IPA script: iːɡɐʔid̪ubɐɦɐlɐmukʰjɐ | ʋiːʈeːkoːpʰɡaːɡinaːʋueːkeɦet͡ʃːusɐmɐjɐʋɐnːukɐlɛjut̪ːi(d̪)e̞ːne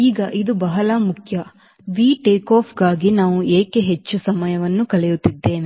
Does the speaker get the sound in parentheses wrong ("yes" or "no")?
yes